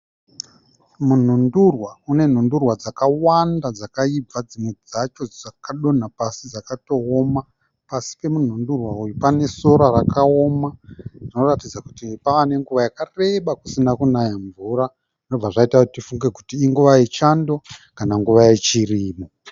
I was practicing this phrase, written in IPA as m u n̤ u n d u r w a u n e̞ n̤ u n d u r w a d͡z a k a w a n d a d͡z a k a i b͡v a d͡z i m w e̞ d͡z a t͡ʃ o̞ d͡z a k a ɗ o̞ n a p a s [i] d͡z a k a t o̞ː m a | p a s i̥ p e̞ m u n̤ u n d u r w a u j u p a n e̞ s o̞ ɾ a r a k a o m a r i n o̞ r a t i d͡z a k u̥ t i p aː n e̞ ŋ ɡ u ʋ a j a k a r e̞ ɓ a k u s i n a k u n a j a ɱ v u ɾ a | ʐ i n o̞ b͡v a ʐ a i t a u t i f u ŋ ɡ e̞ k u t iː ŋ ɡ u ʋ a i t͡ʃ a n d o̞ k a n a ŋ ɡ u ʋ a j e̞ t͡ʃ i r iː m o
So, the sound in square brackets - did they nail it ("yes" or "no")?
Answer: yes